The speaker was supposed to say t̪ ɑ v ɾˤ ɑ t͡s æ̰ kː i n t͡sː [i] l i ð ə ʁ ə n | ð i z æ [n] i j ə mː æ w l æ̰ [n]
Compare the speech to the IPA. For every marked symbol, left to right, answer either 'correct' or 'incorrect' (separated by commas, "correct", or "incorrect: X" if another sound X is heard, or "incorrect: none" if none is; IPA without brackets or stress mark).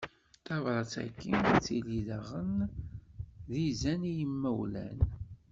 correct, correct, correct